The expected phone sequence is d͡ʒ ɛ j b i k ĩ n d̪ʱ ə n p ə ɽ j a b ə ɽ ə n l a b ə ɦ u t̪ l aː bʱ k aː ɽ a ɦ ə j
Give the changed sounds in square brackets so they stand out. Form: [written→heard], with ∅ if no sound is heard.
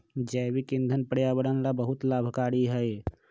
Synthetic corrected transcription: d͡ʒ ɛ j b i k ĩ n d̪ʱ ə n p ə ɽ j a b ə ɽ ə n l a b ə ɦ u t̪ l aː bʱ k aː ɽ [a→i] ɦ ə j

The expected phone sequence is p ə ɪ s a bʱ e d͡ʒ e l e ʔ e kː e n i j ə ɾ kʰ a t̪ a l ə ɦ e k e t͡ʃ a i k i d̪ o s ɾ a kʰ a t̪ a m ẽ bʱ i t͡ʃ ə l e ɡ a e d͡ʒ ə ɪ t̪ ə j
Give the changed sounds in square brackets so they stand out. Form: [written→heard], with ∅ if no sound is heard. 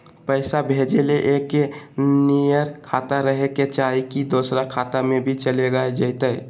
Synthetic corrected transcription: p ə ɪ s a bʱ e d͡ʒ e l e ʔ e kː e n i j ə ɾ kʰ a t̪ a [l→ɾ] ə ɦ e k e t͡ʃ a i k i d̪ o s ɾ a kʰ a t̪ a m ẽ bʱ i t͡ʃ ə l e ɡ a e d͡ʒ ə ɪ t̪ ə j

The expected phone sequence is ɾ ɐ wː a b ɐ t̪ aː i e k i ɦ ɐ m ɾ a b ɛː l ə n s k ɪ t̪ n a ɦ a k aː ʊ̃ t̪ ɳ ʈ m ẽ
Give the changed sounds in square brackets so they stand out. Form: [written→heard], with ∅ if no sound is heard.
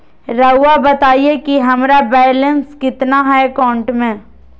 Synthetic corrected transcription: ɾ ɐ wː a b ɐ t̪ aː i e k i ɦ ɐ m ɾ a b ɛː l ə n s k ɪ t̪ n a ɦ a k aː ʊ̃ [t̪→∅] ɳ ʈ m ẽ

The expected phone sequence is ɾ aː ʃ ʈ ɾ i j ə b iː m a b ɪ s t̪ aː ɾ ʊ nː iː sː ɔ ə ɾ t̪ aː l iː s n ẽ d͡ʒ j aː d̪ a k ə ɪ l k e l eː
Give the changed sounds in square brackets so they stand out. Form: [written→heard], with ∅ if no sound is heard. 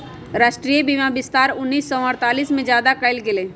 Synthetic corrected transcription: ɾ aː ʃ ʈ ɾ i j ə b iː m a b ɪ s t̪ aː ɾ ʊ nː iː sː ɔ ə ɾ t̪ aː l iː s [n→m] ẽ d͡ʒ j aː d̪ a k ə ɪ l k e l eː

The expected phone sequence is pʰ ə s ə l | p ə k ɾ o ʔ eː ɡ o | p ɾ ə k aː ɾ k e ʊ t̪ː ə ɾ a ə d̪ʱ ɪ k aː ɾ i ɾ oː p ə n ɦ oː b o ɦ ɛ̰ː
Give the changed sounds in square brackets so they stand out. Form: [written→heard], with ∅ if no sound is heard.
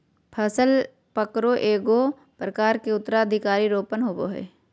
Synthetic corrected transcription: pʰ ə s ə l | p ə k ɾ o ʔ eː ɡ o | p ɾ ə k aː ɾ k e ʊ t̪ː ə ɾ a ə d̪ʱ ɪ k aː ɾ i ɾ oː p ə n ɦ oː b o ɦ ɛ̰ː

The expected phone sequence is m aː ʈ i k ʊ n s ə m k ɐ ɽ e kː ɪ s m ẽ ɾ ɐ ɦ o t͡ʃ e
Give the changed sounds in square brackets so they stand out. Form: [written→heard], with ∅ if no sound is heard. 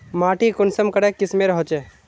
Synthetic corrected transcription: m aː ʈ i k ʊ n s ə m k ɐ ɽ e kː ɪ s m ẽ ɾ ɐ ɦ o t͡ʃ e

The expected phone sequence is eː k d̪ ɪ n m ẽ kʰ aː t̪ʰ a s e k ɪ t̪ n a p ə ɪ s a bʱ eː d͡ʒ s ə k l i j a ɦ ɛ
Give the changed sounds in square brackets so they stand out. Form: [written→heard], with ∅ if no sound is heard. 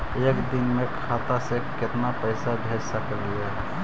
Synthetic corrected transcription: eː k d̪ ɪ n m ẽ kʰ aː [t̪ʰ→t̪] a s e k ɪ t̪ n a p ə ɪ s a bʱ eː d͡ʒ s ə k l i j a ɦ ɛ

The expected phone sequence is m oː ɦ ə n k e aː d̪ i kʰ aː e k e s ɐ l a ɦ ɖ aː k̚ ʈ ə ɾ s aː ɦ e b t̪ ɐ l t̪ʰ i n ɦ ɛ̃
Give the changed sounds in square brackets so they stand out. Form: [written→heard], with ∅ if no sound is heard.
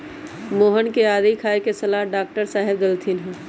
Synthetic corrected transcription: m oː ɦ ə n k e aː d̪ i kʰ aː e k e s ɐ l a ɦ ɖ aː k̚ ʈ ə ɾ s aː ɦ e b [t̪→d̪] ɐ l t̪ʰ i n ɦ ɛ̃

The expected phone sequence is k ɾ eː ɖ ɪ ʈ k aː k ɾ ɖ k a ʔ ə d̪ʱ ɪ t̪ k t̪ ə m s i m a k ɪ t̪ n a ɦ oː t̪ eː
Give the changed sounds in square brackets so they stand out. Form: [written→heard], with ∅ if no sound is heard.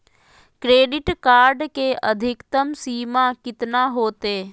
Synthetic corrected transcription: k ɾ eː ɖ ɪ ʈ k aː [k→∅] ɾ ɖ k [a→e] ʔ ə d̪ʱ ɪ [t̪→∅] k t̪ ə m s [i→iː] m a k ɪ t̪ n a ɦ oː t̪ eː

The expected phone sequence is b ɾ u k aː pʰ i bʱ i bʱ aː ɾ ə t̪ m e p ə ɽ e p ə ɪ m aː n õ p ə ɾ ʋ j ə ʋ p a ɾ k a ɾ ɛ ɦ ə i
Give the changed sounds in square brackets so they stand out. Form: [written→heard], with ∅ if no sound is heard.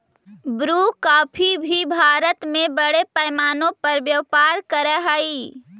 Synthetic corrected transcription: b ɾ u k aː pʰ i bʱ i bʱ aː ɾ ə t̪ m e [p→b] ə ɽ e p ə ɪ m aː n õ p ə ɾ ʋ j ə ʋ p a ɾ k [a→ə] ɾ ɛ ɦ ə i

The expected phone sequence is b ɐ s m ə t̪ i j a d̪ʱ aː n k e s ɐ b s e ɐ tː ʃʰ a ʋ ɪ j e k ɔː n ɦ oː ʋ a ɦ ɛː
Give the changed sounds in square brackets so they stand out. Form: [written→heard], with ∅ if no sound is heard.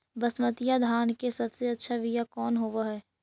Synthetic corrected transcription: b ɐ s m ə t̪ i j a d̪ʱ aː n k e s ɐ b s e ɐ tː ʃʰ a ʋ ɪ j [e→a] k ɔː n ɦ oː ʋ a ɦ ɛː

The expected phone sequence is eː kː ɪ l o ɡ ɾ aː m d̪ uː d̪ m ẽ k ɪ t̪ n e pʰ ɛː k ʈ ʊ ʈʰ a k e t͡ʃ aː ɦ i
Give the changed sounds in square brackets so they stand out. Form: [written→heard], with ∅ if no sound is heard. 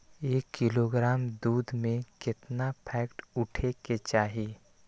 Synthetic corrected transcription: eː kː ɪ l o ɡ ɾ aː m d̪ uː d̪ m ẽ k ɪ t̪ n [e→a] pʰ ɛː k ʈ ʊ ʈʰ [a→e] k e t͡ʃ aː ɦ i

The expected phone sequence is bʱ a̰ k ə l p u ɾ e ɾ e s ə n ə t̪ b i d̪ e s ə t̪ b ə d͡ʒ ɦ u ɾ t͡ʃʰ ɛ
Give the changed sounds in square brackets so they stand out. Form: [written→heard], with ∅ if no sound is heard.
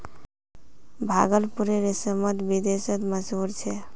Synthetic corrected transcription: bʱ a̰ [k→ɡ] ə l p u ɾ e ɾ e s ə [n→m] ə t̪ b i d̪ e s ə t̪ [b→m] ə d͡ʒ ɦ u ɾ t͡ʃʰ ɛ

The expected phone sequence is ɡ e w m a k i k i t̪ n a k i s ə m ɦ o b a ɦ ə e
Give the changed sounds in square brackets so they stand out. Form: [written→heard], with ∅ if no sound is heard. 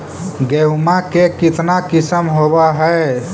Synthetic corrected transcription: ɡ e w m a k [i→e] k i t̪ n a k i s ə m ɦ o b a ɦ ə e

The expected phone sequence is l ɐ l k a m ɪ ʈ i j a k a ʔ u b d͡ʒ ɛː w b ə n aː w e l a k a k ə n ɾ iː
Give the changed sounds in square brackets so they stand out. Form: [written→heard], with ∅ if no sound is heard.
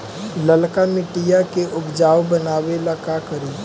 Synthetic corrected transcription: l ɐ l k a m ɪ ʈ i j a k [a→e] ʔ [u→ʊ] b d͡ʒ [ɛː→aː] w b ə n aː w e l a k a k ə [n→∅] ɾ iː

